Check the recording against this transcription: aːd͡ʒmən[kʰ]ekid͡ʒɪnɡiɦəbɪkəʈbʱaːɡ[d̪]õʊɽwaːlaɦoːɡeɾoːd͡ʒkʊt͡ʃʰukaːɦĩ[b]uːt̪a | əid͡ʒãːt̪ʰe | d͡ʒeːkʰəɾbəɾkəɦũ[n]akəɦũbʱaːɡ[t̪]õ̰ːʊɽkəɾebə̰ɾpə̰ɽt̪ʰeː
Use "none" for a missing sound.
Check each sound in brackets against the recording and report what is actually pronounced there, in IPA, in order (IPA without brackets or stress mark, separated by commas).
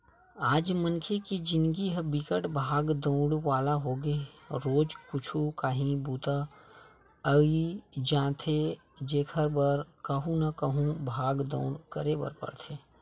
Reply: kʰ, d̪, b, n, d̪